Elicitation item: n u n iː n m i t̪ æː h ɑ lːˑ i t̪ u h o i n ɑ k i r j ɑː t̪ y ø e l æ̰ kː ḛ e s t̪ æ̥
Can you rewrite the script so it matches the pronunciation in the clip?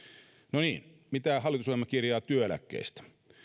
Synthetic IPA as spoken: n o n iː n m i t̪ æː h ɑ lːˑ i t̪ u s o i m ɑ k i r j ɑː t̪ y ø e l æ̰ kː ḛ i s t̪ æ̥